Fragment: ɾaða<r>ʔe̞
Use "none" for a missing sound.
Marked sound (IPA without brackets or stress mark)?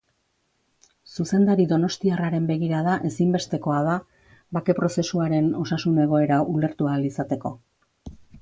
none